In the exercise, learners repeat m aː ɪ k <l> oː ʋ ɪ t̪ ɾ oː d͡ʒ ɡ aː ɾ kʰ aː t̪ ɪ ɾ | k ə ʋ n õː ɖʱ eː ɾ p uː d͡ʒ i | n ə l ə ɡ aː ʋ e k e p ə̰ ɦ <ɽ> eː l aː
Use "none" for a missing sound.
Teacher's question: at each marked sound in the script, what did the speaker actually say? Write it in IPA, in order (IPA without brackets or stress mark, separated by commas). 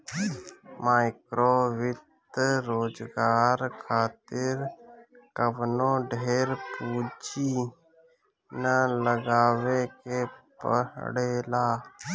ɾ, ɽ